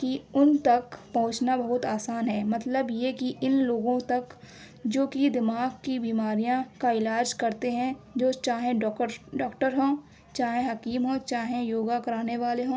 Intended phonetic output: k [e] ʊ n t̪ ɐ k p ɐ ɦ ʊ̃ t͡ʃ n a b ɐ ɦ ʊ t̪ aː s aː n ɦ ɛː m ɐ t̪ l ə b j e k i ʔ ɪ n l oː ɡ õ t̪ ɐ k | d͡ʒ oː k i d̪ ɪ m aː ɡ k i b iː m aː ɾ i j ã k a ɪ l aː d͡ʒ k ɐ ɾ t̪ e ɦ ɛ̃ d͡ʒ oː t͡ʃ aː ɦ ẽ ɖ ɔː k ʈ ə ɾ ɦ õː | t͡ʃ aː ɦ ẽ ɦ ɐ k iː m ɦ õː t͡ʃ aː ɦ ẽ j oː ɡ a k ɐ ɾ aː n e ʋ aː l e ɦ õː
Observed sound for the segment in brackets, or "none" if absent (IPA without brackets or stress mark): i